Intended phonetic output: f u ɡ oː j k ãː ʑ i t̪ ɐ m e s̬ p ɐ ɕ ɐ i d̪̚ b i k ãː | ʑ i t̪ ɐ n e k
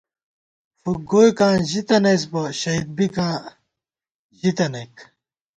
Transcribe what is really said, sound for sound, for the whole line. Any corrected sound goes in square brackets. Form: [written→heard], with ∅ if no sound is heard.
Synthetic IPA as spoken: f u ɡ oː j k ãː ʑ i t̪ ɐ [m→n] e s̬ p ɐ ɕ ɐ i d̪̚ b i k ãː | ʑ i t̪ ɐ n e k